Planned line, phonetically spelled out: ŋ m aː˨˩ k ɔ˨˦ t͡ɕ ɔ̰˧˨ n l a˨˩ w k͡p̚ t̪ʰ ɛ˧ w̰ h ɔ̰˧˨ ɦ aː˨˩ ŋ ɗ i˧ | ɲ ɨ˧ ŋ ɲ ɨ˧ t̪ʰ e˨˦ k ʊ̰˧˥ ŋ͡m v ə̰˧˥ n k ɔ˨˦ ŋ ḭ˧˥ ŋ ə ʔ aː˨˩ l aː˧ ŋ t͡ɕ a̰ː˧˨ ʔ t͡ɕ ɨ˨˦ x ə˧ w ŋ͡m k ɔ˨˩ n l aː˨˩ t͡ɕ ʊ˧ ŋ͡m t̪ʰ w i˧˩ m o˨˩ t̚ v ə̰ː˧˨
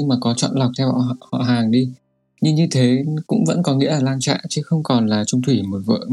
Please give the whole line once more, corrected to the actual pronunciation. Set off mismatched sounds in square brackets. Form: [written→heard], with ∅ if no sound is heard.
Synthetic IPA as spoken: ŋ m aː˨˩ k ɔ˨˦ t͡ɕ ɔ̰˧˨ n l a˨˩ w k͡p̚ t̪ʰ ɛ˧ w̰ h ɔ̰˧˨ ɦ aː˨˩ ŋ ɗ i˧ | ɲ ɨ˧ ŋ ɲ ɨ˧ t̪ʰ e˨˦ k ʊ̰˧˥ ŋ͡m v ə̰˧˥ n k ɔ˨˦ ŋ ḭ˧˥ [ŋ→∅] ə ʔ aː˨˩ l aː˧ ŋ t͡ɕ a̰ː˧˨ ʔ t͡ɕ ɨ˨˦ x ə˧ w ŋ͡m k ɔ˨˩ n l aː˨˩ t͡ɕ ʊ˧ ŋ͡m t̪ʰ w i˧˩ m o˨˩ t̚ v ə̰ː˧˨